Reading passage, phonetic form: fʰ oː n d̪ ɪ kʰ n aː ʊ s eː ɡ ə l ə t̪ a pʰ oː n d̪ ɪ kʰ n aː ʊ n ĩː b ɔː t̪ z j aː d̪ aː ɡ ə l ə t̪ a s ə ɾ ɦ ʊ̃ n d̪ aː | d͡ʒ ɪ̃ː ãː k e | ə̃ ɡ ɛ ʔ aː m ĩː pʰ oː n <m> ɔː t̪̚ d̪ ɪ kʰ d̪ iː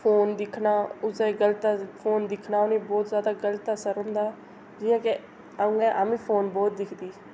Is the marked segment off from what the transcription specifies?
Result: yes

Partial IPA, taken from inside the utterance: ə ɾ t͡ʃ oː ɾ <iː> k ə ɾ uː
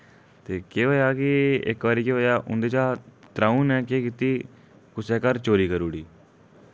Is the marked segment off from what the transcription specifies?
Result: no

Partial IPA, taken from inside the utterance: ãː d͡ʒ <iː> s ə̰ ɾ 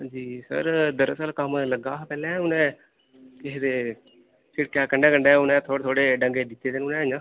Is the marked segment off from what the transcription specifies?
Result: no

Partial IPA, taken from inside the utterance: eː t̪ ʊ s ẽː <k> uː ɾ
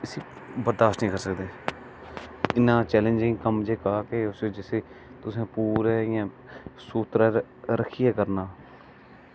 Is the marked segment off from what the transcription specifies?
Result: yes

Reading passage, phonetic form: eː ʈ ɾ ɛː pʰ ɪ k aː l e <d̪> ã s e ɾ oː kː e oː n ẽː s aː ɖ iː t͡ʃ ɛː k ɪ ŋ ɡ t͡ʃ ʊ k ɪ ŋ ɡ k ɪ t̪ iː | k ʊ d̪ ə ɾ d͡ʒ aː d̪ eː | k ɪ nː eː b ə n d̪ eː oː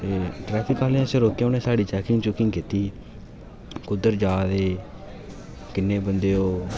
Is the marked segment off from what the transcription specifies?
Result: yes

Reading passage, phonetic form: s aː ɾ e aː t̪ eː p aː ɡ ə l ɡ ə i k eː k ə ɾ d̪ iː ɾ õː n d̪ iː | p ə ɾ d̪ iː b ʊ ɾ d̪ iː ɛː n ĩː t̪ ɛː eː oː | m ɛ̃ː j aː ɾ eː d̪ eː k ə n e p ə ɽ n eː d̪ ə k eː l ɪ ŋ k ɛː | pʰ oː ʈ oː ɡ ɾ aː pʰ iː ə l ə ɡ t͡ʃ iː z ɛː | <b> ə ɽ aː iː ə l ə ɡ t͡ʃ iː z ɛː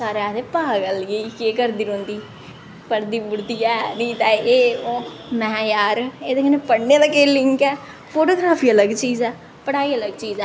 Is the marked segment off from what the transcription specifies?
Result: yes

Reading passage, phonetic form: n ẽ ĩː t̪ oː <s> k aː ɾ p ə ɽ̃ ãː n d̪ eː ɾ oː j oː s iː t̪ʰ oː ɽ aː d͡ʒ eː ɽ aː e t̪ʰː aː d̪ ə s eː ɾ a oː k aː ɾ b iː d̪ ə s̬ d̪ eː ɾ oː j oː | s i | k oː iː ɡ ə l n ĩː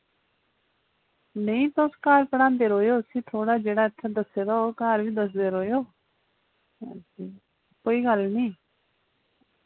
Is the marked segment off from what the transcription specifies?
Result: no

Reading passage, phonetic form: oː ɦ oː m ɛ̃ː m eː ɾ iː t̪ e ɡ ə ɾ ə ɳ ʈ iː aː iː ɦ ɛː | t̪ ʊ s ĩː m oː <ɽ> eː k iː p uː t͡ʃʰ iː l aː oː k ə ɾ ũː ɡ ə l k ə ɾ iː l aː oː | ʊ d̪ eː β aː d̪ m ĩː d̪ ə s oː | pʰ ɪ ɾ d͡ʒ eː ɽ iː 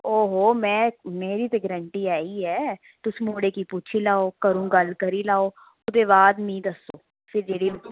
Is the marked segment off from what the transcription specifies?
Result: no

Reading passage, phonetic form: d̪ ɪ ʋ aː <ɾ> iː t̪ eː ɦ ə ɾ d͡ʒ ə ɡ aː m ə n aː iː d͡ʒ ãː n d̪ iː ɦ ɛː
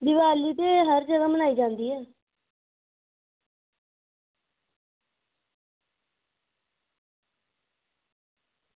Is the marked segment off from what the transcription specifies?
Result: yes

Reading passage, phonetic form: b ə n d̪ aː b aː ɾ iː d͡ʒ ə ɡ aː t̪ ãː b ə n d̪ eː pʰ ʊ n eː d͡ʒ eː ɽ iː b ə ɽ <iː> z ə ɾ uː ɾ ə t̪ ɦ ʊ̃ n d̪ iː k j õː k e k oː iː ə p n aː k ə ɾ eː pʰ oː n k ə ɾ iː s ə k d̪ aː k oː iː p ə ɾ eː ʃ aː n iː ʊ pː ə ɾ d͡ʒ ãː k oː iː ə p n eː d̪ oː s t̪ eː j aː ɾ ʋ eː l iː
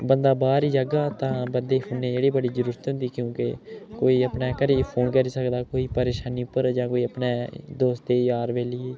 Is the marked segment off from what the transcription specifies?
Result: no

